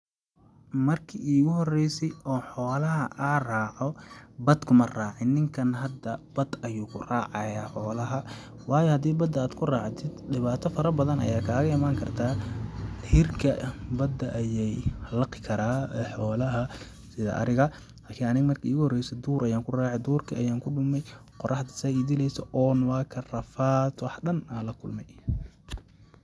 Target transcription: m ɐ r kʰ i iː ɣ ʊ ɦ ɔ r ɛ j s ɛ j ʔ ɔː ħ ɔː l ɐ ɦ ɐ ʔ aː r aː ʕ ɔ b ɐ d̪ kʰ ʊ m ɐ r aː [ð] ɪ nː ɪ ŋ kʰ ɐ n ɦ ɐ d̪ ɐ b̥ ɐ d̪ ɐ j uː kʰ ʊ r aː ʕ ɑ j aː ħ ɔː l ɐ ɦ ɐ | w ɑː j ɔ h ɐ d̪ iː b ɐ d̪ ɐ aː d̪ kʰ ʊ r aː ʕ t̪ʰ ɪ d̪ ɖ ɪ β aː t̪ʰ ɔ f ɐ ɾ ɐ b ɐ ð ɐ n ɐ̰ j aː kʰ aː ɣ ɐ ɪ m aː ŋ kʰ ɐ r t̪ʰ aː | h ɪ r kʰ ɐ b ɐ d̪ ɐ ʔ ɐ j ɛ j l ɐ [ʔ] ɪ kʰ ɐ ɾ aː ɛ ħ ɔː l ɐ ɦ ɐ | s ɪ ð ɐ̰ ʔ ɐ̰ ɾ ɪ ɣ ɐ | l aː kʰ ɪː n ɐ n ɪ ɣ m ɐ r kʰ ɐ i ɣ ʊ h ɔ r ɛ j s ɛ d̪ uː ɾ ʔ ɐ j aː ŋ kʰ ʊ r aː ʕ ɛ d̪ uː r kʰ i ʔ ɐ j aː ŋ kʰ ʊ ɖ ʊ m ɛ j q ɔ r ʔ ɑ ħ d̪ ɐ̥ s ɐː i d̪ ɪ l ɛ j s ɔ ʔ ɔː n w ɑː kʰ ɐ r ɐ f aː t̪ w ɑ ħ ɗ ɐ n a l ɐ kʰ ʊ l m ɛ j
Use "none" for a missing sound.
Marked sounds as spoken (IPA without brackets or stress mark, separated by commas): ʕ, q